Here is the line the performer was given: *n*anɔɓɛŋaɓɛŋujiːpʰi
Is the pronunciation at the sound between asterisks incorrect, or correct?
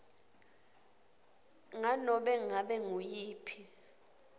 incorrect